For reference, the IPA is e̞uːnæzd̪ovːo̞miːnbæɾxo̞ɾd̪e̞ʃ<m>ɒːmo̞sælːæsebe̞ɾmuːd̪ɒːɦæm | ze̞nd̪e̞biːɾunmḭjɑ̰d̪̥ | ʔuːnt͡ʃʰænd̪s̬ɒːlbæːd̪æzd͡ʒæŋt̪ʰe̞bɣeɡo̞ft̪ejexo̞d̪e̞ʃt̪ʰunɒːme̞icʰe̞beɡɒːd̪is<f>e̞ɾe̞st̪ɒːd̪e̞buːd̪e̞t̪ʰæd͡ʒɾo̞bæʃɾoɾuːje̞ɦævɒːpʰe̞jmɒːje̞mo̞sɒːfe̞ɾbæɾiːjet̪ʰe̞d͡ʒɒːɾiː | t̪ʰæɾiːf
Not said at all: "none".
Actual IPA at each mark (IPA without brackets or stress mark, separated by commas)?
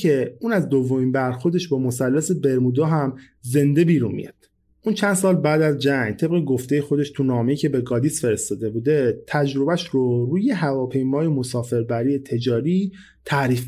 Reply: b, f